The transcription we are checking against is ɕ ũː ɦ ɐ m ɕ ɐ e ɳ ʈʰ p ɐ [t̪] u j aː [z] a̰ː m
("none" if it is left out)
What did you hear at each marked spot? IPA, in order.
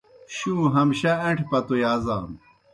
t̪, z

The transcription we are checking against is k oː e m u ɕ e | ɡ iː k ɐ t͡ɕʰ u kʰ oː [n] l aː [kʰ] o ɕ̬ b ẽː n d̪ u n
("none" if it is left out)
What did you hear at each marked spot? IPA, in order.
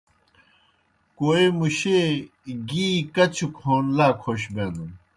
n, kʰ

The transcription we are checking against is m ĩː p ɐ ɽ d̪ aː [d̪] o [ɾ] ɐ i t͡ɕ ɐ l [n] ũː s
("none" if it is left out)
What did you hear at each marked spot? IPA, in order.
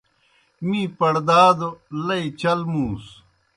d̪, l, m

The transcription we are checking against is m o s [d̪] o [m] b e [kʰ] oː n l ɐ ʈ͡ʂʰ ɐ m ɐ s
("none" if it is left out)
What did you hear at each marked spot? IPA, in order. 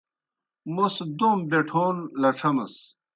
d̪, m, ʈʰ

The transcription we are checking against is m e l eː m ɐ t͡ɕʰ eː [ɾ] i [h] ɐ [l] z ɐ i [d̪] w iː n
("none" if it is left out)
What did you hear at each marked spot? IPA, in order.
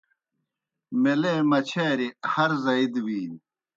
ɾ, h, ɾ, d̪

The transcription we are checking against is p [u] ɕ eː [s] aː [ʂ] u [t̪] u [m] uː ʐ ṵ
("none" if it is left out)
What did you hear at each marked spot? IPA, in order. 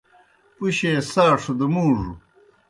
u, s, ʂ, d̪, m

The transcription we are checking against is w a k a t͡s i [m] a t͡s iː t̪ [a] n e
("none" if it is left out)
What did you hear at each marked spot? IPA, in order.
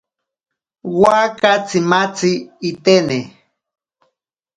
m, e

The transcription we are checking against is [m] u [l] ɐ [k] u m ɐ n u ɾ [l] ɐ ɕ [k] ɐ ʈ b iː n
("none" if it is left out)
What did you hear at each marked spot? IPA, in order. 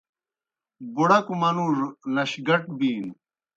b, ɽ, k, l, ɡ

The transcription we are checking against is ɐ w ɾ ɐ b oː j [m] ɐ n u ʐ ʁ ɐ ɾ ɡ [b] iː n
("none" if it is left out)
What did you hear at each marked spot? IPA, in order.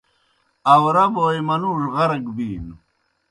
m, b

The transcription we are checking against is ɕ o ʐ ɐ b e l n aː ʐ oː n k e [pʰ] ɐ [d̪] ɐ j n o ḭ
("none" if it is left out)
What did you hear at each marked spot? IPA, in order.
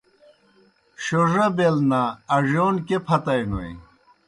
pʰ, t̪

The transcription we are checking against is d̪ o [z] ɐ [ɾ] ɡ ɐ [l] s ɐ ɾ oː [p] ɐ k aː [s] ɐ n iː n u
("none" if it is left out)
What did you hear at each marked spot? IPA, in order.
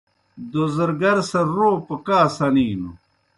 z, ɾ, ɾ, p, s

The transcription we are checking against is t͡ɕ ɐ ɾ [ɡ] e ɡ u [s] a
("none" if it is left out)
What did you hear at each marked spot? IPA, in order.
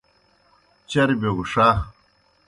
b, ʂ

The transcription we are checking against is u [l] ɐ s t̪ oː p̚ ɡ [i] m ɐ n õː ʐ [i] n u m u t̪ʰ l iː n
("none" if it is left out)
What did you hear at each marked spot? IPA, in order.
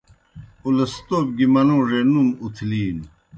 l, i, e

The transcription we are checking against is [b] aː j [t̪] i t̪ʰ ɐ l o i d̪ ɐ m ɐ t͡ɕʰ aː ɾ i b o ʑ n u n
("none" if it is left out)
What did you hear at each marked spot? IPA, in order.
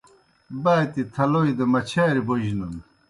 b, t̪

